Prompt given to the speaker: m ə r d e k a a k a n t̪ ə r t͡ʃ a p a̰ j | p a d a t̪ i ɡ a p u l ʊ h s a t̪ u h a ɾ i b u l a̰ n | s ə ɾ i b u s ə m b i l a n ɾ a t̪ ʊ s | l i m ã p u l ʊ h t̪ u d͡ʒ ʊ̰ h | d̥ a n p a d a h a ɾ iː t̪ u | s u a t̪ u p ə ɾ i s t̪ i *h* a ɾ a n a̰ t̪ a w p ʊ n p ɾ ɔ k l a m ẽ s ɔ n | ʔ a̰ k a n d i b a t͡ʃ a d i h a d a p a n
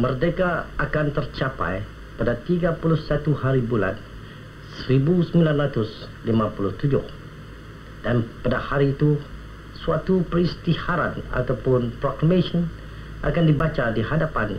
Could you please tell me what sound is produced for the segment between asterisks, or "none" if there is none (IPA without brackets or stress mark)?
h